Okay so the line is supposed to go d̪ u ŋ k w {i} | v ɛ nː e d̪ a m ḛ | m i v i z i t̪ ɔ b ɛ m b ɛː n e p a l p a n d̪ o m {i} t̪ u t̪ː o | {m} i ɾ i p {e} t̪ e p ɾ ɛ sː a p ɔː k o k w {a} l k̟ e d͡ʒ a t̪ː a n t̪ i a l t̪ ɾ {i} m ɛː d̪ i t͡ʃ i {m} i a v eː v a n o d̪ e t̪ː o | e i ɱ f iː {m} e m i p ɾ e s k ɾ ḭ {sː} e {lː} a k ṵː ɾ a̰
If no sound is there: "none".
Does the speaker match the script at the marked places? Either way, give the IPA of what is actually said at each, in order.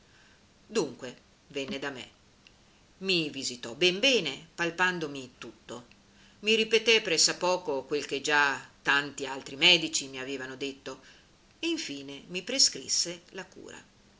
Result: e, i, m, e, e, i, m, n, sː, l

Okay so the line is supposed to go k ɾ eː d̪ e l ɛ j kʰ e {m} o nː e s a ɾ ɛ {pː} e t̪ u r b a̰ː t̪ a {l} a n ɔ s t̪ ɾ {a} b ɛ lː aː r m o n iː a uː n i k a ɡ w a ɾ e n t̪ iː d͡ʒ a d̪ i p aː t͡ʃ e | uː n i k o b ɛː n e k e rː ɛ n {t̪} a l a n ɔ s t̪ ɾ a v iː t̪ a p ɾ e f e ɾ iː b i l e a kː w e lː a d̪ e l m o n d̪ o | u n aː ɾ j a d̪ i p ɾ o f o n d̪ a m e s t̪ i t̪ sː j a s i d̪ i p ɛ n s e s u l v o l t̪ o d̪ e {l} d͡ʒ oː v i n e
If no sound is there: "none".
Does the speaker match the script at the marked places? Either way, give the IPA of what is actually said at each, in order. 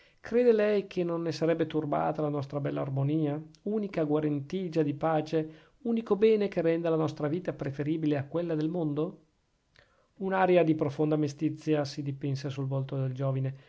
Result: n, bː, l, a, d̪, l

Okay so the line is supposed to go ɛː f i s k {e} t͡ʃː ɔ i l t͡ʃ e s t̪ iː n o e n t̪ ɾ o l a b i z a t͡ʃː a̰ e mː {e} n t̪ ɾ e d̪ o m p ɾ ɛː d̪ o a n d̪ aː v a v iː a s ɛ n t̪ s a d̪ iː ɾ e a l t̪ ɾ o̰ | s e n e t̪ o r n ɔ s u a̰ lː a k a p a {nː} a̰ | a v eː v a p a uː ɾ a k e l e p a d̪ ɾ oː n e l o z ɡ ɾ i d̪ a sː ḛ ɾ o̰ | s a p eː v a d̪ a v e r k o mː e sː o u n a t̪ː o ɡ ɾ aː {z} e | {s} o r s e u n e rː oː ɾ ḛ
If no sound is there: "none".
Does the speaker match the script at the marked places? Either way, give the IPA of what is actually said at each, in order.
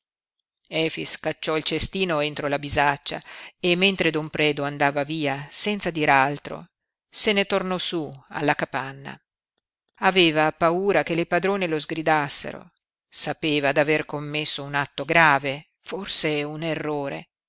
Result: a, e, nː, v, f

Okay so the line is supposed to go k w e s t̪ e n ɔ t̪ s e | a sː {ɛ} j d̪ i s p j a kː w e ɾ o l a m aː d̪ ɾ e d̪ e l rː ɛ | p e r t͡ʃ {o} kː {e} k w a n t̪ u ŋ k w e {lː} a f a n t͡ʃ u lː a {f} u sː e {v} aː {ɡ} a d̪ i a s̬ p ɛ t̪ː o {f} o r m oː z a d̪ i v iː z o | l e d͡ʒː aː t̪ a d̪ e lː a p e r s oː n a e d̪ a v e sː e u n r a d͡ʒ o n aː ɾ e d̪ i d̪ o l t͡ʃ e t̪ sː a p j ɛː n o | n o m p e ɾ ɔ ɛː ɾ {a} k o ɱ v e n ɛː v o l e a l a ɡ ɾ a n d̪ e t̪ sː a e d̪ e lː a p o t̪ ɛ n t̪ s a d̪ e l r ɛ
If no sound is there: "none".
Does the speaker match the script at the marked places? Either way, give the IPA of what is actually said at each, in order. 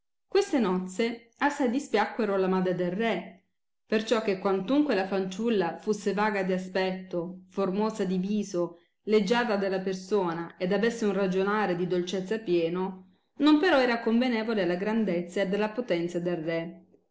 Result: a, ɔ, e, l, f, v, ɡ, f, a

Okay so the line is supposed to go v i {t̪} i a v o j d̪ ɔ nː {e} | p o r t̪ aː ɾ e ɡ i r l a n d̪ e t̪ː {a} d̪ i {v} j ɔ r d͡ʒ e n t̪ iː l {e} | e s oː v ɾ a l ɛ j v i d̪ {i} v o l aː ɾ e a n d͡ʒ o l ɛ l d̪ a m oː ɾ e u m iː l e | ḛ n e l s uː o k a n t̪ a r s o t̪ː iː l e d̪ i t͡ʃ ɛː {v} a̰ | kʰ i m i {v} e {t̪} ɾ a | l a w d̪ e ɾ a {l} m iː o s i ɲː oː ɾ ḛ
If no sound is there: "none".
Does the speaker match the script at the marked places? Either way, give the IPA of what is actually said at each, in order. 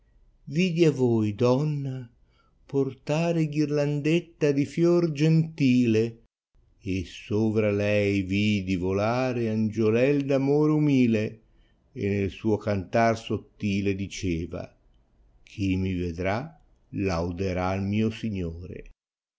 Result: d̪, a, a, f, e, i, v, v, d̪, l

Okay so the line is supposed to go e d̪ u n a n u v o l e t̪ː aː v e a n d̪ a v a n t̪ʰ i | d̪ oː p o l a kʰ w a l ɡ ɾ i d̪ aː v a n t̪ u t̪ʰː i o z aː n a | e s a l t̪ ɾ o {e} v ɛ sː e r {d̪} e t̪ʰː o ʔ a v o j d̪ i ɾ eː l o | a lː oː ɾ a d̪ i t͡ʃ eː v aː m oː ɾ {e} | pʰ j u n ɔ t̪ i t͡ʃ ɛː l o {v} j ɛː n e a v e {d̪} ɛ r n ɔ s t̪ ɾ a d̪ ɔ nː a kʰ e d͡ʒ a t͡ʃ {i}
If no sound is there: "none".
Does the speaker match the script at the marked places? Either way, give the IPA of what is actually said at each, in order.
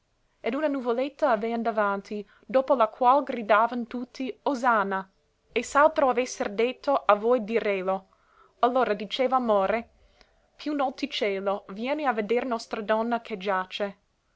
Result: a, d̪, e, v, d̪, e

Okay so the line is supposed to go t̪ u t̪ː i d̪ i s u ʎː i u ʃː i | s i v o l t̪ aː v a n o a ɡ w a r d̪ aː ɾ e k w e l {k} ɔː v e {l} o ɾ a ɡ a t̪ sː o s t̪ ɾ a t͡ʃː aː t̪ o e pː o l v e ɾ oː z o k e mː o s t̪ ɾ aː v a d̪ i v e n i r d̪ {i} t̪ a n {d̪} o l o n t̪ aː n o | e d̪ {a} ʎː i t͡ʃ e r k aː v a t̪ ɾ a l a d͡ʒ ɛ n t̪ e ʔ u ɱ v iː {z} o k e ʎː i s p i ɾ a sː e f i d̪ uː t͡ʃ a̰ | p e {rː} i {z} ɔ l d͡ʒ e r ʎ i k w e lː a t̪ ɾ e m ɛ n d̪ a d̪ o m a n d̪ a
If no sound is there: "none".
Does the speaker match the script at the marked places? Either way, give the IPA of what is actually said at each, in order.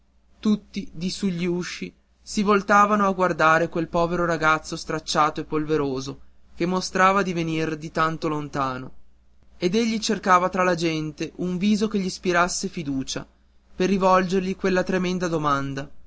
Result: p, ɾ, i, t̪, e, z, rː, v

